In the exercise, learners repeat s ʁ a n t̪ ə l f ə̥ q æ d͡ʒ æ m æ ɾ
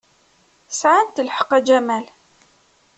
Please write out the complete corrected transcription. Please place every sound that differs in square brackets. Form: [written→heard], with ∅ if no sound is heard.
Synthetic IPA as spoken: s [ʁ→ʕ] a n t̪ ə l [f→ħ] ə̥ q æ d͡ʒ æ m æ [ɾ→l]